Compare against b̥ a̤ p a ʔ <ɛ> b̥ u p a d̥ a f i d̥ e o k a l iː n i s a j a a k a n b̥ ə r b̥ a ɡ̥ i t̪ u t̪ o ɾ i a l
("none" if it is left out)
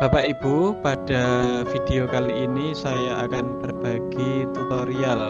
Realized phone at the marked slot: i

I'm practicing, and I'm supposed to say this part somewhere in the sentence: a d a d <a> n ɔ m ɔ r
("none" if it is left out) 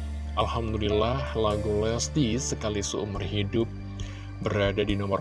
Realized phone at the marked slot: i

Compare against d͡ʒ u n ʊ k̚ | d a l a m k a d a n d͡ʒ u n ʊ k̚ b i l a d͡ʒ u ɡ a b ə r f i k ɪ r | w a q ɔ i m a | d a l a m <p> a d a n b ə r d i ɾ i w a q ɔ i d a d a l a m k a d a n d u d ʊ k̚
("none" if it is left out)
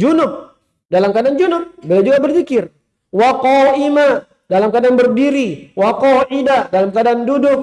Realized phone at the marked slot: k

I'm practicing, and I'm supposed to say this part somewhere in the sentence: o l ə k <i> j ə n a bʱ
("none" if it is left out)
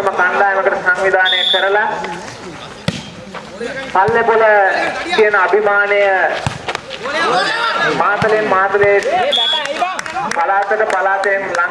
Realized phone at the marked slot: i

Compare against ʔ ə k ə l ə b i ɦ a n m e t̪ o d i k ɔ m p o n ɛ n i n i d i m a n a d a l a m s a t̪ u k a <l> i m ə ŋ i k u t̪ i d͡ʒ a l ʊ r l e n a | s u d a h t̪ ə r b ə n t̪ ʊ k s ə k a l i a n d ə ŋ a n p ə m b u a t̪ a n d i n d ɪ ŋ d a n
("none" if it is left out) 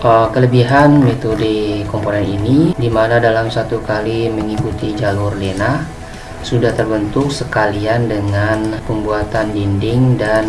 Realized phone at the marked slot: l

